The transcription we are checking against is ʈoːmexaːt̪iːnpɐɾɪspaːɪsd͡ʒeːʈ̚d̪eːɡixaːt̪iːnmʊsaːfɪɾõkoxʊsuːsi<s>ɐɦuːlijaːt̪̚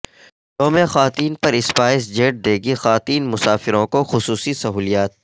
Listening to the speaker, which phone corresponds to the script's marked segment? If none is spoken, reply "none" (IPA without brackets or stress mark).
s